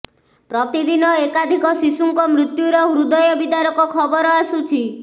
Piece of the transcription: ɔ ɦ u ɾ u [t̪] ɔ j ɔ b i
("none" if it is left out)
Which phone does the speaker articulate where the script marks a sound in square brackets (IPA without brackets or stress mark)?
d̪